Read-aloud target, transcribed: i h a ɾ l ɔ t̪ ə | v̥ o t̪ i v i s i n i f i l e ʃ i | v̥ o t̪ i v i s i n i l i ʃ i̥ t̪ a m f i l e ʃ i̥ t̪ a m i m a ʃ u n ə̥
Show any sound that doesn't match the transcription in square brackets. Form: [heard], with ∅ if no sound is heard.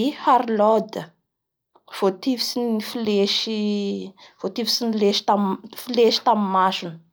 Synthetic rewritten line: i h a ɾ l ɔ [d̪] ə | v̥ o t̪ i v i s i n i f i l e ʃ i | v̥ o t̪ i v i s i n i l [e] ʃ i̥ t̪ a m f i l e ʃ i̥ t̪ a m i m a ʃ u n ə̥